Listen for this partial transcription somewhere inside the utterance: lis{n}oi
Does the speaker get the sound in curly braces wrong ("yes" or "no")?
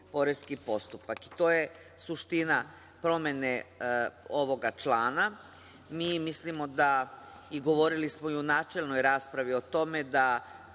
yes